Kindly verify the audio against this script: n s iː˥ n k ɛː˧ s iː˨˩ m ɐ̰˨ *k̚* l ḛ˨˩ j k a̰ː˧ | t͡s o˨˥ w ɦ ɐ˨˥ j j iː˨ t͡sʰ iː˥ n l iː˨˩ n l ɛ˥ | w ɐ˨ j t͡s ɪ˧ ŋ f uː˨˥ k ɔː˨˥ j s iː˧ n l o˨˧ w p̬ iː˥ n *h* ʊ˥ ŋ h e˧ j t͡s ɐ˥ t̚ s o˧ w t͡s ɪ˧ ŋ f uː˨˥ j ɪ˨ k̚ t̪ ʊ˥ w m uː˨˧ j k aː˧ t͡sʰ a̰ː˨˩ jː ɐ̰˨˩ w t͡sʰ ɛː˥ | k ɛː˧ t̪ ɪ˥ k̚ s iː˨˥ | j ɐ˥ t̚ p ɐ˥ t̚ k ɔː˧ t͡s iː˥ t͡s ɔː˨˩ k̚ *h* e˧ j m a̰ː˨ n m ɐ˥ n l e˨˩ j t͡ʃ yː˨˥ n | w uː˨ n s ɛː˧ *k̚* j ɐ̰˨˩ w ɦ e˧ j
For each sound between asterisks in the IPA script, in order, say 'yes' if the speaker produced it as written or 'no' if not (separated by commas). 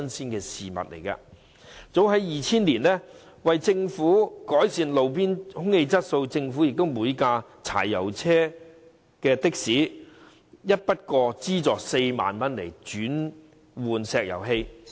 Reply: no, yes, no, yes